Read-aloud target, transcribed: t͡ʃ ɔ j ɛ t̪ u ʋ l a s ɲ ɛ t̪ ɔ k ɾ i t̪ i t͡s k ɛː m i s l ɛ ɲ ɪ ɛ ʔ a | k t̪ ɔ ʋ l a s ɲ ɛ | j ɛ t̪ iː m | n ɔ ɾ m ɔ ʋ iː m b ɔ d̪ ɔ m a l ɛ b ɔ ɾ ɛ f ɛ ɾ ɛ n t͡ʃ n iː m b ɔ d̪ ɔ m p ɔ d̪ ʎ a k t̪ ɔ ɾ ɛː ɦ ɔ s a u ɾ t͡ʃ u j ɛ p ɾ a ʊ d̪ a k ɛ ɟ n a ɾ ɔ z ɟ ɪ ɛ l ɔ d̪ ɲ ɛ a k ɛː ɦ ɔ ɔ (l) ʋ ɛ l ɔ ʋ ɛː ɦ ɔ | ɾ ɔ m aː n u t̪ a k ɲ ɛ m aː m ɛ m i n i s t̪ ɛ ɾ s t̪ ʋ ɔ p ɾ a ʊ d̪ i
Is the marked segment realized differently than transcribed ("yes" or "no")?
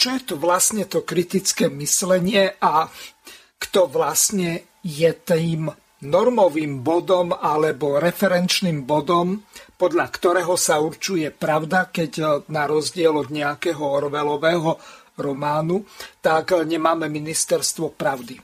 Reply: yes